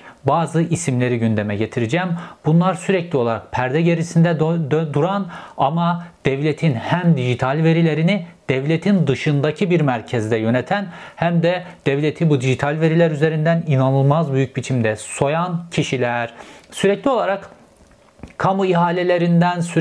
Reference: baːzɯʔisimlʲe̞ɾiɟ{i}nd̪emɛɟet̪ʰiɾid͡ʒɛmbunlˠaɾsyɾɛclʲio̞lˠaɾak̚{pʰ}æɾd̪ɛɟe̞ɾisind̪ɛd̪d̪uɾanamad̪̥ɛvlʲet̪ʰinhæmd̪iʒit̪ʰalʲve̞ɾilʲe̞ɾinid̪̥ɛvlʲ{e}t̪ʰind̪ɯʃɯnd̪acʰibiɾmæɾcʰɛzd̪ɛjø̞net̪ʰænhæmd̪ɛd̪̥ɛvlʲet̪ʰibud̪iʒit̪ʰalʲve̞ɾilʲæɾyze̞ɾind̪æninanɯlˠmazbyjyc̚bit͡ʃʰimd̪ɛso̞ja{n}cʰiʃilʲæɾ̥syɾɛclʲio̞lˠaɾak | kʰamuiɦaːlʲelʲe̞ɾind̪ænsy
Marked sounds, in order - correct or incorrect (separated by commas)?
incorrect, correct, correct, correct